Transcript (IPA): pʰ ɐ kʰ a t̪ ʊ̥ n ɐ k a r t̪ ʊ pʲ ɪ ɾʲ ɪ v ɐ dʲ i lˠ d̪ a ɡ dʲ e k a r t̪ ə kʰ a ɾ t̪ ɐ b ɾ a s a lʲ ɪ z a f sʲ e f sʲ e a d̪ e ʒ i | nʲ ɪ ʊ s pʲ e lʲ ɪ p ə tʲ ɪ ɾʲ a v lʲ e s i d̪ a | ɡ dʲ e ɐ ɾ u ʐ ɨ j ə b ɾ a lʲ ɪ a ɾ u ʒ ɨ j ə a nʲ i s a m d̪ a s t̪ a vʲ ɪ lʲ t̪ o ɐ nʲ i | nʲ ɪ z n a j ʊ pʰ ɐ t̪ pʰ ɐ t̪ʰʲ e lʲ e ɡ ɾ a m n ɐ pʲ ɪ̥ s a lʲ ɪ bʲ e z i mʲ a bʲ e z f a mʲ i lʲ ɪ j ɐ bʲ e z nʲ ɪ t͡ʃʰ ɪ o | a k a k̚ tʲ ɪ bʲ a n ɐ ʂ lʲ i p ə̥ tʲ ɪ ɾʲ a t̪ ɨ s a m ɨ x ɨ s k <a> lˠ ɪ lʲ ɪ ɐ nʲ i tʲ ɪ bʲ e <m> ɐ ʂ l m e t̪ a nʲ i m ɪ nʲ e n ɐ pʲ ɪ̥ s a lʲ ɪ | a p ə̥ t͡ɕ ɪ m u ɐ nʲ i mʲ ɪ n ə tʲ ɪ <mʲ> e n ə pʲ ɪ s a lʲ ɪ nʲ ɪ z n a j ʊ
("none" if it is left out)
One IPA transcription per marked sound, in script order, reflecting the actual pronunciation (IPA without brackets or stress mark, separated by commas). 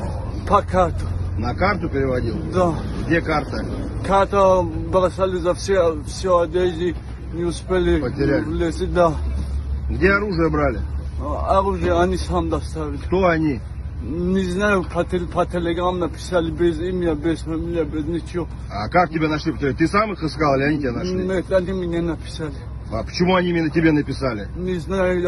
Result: a, n, bʲ